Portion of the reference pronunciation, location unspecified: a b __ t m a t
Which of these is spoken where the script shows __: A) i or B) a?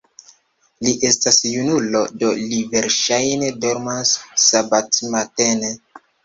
B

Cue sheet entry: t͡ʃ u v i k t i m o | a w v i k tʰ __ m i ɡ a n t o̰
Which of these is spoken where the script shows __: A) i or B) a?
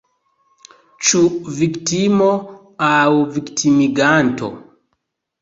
A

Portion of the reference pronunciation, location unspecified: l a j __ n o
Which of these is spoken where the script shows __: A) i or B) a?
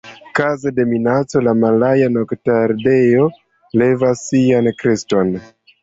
B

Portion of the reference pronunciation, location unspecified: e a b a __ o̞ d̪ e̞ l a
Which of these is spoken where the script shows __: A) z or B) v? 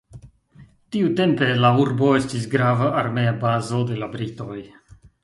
A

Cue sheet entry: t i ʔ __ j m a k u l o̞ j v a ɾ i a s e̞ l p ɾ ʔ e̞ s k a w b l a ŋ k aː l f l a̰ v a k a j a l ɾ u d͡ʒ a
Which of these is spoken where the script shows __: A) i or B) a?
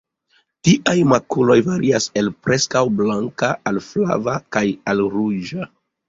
B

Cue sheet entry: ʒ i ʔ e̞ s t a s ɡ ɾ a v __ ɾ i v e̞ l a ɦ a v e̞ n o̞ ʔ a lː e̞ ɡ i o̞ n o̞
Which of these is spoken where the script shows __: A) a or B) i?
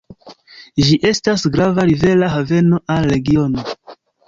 A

